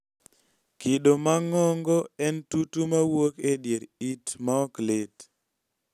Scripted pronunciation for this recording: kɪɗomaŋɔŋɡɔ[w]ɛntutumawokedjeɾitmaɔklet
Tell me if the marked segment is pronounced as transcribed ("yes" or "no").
no